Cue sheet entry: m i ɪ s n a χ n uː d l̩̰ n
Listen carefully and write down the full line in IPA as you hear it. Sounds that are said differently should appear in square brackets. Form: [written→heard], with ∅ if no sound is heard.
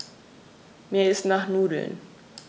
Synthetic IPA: m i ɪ s n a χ n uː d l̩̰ n